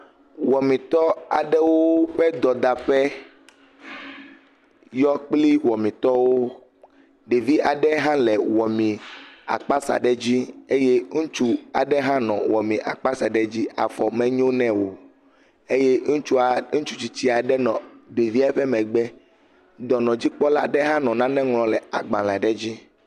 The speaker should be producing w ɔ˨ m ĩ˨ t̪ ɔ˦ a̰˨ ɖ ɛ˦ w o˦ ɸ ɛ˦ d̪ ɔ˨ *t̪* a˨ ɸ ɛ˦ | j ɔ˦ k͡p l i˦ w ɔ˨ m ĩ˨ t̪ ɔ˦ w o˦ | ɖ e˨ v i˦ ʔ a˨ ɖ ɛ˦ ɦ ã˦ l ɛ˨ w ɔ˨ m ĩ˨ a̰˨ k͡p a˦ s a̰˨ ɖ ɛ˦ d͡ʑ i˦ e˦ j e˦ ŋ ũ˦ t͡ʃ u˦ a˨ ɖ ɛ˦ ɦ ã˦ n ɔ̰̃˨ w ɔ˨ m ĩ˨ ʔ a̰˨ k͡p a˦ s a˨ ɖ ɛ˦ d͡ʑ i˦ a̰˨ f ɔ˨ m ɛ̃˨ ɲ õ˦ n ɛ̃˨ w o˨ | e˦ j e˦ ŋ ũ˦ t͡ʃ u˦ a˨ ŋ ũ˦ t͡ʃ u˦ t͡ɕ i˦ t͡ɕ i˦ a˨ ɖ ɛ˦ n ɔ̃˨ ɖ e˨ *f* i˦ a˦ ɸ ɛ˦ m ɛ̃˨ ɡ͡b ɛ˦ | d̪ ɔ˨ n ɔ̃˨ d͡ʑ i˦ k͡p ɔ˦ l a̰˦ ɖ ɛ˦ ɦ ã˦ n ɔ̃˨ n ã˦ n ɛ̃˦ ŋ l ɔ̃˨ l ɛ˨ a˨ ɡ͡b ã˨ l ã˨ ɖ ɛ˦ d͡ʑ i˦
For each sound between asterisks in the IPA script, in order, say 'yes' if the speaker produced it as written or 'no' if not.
no, no

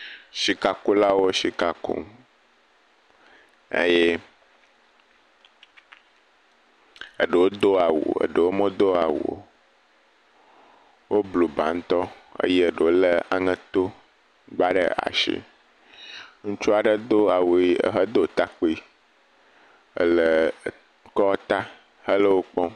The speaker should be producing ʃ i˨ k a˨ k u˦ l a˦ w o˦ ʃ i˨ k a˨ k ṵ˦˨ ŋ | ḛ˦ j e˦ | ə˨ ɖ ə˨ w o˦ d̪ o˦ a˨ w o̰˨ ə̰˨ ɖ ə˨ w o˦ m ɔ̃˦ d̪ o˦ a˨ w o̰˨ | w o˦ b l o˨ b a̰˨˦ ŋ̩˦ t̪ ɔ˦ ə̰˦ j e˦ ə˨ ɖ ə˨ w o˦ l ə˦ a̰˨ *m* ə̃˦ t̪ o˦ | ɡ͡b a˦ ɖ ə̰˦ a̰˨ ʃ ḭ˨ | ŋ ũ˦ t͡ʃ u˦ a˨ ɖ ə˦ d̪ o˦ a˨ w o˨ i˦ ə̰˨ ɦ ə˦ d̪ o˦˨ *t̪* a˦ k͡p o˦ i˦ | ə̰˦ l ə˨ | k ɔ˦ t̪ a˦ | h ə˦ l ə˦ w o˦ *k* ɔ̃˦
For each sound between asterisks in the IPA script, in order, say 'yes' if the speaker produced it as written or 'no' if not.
no, yes, no

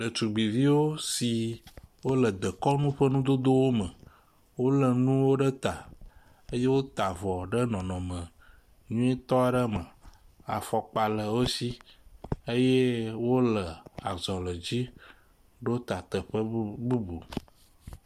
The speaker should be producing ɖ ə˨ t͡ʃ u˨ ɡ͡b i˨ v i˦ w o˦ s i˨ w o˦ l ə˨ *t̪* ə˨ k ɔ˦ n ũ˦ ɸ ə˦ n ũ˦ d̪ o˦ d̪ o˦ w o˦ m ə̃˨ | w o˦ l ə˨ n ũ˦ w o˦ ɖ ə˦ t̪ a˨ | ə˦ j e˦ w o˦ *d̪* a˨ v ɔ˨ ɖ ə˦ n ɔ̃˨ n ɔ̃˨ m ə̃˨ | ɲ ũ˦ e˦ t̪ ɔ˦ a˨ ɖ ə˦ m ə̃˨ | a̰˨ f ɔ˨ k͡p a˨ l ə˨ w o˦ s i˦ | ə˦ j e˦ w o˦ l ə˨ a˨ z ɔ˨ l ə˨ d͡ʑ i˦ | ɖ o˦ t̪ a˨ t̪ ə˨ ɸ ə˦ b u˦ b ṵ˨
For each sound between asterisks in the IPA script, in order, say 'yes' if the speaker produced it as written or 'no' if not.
no, no

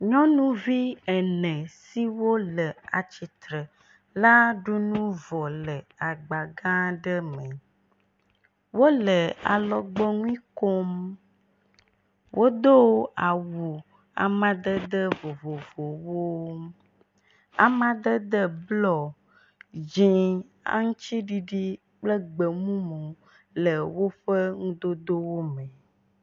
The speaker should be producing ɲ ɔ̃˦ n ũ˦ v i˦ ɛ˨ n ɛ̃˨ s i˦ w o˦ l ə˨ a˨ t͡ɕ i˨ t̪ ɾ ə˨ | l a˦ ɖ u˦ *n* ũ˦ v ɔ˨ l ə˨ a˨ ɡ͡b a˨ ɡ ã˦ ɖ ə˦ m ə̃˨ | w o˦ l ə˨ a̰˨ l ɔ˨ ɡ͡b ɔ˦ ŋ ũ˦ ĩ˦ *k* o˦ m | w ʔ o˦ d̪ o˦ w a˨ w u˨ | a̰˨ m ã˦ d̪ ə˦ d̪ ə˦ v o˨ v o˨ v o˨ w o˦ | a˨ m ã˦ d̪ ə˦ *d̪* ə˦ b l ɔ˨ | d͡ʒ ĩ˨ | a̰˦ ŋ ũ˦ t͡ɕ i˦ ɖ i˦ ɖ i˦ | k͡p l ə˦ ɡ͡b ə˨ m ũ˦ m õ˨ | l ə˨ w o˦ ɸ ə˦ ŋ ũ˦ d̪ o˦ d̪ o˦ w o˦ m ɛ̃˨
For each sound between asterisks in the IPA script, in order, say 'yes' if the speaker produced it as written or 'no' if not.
yes, yes, yes

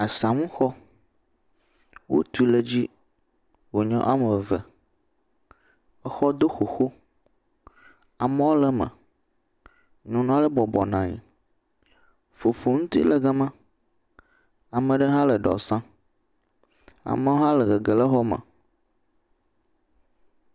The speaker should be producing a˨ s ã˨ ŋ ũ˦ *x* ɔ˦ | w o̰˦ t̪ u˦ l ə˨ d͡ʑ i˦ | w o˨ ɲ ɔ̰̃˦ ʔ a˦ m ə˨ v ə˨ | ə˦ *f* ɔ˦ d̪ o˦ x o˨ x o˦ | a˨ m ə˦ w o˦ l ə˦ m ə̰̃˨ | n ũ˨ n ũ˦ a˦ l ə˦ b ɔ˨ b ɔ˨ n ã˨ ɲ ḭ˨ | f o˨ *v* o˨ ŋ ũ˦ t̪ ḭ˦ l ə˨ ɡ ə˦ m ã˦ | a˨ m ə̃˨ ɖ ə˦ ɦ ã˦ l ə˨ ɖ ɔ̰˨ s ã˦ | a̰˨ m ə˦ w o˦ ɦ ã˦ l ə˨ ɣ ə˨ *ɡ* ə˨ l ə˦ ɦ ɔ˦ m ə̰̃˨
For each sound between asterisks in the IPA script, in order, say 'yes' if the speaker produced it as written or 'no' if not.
yes, no, no, yes

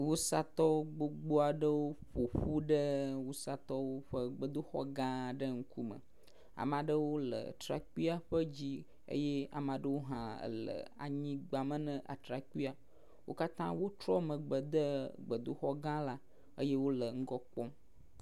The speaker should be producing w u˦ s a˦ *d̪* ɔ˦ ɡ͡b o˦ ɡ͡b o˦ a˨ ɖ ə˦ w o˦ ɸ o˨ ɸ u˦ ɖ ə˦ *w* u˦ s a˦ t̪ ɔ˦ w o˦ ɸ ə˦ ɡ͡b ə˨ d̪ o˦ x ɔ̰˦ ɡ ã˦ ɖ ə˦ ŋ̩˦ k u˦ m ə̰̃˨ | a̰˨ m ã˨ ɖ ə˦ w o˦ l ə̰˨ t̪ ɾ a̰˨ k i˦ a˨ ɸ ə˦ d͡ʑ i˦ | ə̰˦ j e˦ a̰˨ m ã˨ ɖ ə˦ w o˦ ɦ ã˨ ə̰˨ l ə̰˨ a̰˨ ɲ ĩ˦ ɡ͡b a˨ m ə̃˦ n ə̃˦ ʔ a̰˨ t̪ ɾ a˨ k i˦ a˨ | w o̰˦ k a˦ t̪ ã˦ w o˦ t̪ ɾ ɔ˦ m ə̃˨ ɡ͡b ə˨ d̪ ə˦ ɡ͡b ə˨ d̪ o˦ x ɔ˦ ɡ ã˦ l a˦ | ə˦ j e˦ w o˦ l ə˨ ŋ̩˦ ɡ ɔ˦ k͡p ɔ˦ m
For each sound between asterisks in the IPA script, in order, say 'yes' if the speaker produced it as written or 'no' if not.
no, yes

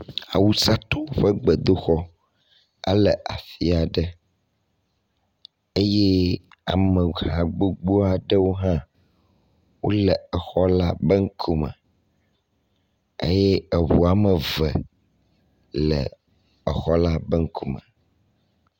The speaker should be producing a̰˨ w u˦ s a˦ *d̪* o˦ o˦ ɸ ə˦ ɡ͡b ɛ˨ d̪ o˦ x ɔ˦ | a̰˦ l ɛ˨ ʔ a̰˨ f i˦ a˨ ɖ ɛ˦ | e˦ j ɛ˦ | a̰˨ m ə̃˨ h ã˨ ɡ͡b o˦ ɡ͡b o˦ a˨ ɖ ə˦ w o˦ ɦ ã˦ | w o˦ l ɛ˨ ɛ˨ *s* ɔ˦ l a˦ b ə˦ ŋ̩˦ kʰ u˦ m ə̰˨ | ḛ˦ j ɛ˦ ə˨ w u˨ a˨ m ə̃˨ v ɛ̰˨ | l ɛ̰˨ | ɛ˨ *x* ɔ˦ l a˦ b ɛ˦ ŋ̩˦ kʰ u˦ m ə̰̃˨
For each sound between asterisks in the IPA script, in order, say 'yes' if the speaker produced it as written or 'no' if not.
no, no, yes

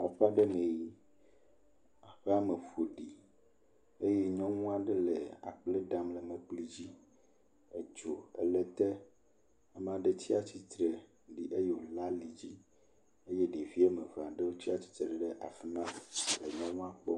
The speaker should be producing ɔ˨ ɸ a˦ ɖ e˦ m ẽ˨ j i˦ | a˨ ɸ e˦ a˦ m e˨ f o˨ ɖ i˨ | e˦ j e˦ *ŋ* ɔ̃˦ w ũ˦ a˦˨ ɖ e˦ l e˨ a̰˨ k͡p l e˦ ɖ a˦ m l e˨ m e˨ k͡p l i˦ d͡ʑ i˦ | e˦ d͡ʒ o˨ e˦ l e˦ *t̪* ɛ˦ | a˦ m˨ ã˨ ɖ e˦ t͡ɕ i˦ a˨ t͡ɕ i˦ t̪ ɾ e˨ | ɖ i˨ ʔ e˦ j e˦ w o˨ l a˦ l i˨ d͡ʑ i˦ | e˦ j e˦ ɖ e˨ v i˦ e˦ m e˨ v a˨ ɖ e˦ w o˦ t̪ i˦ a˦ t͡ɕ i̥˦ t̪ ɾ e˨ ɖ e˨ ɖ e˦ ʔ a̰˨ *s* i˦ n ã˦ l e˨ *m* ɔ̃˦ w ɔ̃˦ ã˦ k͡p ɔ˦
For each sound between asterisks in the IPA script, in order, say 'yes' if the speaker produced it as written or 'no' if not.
no, yes, no, no

